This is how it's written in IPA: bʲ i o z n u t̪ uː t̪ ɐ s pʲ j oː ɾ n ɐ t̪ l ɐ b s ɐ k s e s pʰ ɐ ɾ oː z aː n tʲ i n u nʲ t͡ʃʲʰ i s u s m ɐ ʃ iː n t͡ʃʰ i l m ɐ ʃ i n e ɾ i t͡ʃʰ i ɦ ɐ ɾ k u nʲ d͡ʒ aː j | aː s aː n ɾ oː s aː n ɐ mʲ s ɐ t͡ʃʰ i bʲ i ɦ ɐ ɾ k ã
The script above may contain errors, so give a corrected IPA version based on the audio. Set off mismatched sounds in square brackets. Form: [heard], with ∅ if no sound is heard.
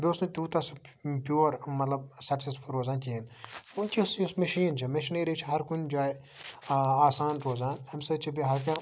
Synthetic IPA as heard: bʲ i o [s] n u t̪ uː t̪ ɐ s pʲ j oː ɾ [m] ɐ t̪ l ɐ b s ɐ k s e s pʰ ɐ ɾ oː z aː n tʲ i n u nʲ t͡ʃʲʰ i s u s m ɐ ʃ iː n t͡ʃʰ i [∅] m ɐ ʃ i n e ɾ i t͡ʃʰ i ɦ ɐ ɾ k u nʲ d͡ʒ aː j | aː s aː n ɾ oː [z] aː n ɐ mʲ s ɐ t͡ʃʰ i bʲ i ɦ ɐ ɾ k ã